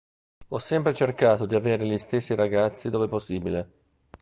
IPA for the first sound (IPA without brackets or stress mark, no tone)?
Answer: ɔ